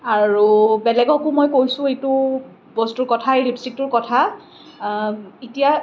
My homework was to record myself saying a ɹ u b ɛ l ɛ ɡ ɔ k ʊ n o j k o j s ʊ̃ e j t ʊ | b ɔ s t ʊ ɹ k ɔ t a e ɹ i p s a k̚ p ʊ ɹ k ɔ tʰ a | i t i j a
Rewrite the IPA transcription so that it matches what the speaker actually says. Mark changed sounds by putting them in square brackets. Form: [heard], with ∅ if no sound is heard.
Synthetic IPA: a ɹ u b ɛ l ɛ ɡ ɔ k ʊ [m] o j k o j s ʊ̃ e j t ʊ | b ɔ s t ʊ ɹ k ɔ [tʰ] a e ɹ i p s [i] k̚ [t] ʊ ɹ k ɔ tʰ a | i t i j a